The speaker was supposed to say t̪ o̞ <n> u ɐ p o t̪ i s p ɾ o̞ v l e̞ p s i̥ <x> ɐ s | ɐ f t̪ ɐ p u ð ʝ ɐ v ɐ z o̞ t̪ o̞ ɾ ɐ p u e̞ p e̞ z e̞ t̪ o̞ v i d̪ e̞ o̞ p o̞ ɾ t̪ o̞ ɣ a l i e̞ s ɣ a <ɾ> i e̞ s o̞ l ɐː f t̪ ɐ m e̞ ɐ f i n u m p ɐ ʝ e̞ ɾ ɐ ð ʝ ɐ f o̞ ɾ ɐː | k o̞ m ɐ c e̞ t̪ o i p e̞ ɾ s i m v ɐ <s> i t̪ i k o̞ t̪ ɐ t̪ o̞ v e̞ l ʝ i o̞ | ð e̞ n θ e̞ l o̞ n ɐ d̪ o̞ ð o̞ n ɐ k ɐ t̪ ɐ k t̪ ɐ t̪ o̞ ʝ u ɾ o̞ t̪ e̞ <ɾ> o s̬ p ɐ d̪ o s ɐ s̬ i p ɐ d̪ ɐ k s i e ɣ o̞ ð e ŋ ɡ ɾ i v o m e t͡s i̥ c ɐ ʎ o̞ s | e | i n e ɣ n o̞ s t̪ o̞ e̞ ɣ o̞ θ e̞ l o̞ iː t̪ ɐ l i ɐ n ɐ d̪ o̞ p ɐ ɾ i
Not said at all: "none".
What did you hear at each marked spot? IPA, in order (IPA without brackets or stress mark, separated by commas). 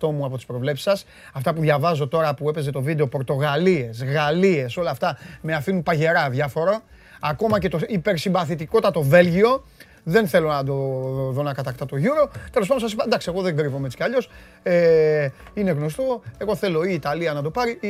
m, s, l, θ, l